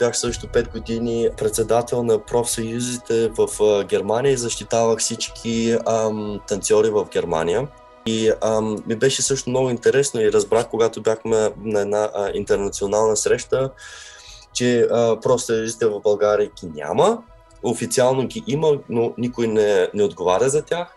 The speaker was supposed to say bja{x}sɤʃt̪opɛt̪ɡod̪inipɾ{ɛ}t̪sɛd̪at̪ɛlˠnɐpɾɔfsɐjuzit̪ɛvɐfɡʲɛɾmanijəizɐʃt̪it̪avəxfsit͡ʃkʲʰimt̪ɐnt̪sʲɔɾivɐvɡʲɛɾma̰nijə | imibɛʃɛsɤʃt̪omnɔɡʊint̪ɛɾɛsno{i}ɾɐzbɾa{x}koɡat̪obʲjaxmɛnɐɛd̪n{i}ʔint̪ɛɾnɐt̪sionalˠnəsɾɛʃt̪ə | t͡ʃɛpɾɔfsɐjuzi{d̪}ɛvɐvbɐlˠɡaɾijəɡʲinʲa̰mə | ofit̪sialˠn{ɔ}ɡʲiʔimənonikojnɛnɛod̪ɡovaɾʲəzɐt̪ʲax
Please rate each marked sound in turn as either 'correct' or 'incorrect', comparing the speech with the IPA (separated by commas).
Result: correct, correct, correct, correct, incorrect, incorrect, incorrect